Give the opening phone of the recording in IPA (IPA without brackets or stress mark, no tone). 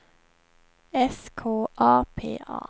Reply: ɛ